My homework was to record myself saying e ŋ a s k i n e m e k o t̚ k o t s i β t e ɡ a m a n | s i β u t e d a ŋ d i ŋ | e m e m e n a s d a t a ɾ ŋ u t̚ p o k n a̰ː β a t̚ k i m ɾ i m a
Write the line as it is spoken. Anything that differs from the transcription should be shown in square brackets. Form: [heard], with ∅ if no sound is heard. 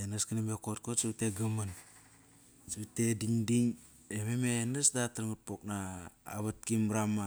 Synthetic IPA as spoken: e [n] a s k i n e m e k o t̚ k o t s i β t e ɡ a m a n | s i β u t e d [i] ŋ d i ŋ | e m e m e n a s d a t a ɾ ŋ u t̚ p o k n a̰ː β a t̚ k i m ɾ [a] m a